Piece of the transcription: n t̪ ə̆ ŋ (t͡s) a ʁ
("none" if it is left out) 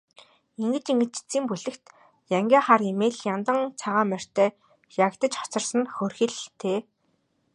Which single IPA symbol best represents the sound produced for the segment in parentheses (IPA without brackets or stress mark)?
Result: t͡sʰ